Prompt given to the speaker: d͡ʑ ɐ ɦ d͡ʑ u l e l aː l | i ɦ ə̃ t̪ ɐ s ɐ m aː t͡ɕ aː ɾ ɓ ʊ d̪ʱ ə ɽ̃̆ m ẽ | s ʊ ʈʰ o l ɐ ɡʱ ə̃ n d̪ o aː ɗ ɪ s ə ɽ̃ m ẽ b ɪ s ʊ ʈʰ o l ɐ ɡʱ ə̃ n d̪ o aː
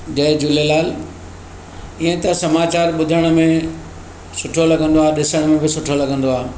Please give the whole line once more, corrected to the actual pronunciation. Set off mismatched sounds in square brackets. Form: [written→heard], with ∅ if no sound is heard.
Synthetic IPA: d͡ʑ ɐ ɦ d͡ʑ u l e l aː l | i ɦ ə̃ t̪ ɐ s ɐ m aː t͡ɕ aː ɾ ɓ ʊ d̪ʱ ə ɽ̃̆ m ẽ | s ʊ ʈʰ o l ɐ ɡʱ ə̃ n d̪ o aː ɗ ɪ s ə ɽ̃ m ẽ b ɪ s ʊ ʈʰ o l ɐ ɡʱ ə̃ n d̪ o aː